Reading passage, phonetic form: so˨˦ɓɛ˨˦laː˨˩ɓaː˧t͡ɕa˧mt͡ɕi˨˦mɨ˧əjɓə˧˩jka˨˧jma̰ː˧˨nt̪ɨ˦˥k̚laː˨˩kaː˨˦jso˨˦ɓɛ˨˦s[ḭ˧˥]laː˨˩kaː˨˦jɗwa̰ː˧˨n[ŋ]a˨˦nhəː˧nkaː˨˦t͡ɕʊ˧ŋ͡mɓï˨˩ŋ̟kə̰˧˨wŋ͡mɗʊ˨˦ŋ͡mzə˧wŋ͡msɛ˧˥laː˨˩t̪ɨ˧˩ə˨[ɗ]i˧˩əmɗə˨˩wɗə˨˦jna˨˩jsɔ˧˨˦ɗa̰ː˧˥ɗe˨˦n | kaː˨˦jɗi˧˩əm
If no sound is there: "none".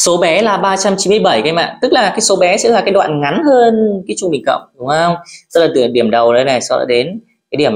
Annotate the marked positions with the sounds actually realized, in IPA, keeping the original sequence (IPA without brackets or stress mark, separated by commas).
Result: ɛ̰˧˥, ŋ, ɗ